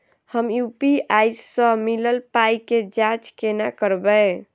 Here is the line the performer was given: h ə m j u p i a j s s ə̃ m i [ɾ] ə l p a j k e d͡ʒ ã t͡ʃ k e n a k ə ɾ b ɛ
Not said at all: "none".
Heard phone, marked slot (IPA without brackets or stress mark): l